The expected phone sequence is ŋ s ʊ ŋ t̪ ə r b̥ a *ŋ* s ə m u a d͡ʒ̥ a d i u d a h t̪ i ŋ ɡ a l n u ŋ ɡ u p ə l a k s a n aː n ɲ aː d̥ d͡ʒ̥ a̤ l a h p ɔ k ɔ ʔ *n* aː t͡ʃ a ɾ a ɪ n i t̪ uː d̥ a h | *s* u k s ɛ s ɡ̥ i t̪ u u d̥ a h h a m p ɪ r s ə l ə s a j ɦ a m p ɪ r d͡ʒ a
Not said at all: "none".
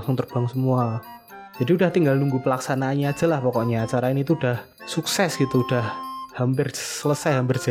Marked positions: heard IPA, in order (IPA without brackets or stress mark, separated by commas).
ŋ, ɲ, s